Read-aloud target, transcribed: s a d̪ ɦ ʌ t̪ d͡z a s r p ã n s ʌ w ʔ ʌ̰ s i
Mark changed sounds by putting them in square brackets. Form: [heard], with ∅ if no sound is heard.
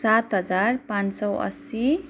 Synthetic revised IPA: s a [t̪] ɦ ʌ [∅] d͡z a [∅] r p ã n s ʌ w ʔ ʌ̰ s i

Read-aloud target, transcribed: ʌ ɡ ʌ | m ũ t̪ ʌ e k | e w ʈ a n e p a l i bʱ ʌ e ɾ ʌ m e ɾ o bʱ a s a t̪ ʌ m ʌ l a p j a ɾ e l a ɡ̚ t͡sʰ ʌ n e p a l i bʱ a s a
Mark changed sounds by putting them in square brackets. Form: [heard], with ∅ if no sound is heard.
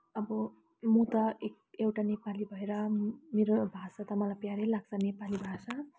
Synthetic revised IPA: ʌ [b] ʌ | m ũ t̪ ʌ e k | e w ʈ a n e p a l i bʱ ʌ e ɾ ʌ m e ɾ o bʱ a s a t̪ ʌ m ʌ l a p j a ɾ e l a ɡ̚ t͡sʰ ʌ n e p a l i bʱ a s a

